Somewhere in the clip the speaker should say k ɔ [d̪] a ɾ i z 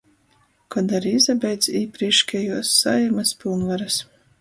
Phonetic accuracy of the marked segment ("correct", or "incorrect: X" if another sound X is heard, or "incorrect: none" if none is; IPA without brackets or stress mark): correct